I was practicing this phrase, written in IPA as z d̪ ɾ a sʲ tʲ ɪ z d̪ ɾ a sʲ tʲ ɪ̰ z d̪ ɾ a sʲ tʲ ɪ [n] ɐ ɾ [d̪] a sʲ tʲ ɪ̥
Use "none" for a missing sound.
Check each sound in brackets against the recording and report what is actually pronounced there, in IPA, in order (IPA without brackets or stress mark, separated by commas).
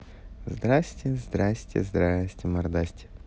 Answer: m, d̪